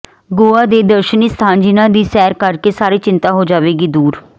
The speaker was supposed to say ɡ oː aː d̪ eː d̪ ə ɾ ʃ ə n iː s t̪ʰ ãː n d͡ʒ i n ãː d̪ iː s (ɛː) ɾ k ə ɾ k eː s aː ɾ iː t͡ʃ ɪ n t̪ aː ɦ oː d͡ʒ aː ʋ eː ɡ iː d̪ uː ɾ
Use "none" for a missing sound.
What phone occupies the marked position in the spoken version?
ɛː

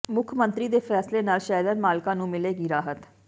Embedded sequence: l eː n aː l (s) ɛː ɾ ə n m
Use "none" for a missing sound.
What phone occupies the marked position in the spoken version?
ʃ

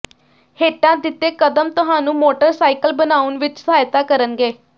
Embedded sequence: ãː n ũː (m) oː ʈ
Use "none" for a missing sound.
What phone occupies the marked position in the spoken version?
m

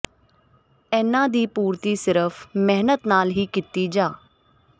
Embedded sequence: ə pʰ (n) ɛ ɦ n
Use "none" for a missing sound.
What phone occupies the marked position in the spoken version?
m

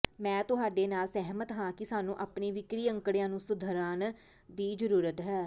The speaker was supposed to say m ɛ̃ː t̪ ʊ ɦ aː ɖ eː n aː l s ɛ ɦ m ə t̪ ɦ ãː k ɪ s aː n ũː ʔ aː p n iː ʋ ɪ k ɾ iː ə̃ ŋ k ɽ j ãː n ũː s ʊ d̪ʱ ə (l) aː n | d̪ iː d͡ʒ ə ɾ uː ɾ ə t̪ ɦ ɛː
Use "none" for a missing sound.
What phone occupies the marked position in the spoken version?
ɾ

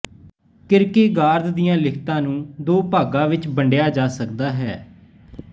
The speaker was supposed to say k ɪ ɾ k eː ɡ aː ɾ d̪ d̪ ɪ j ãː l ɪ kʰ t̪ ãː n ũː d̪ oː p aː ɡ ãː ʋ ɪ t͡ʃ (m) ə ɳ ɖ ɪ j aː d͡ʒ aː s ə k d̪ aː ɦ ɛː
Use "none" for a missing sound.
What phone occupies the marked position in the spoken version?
b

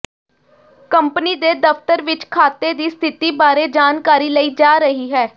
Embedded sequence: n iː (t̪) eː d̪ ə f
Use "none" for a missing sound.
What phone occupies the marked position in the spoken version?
d̪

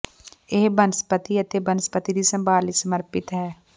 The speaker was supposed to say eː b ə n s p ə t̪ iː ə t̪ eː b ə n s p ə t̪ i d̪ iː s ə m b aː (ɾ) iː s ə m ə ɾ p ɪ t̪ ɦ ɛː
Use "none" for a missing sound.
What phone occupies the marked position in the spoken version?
l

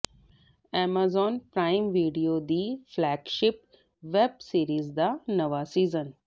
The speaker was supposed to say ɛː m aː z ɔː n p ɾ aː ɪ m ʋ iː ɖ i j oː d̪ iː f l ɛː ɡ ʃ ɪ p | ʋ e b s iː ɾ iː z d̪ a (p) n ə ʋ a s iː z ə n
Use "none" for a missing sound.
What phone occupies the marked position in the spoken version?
none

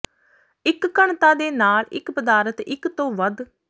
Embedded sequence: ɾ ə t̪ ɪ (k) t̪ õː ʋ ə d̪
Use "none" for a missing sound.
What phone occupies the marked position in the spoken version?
k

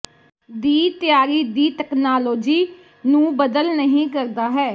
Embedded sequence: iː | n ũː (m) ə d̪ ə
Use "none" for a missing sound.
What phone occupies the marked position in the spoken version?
b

